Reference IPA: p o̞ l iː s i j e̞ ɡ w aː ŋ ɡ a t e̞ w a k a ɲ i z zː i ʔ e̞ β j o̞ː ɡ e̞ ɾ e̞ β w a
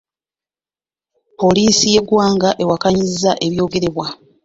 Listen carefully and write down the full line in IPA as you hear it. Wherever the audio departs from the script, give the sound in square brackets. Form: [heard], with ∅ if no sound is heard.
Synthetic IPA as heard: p o̞ l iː s i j e̞ ɡ w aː ŋ ɡ a [ʔ] e̞ w a k a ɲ i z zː [a] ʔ e̞ β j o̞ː ɡ e̞ ɾ e̞ β w a